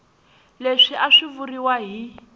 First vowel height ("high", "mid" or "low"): mid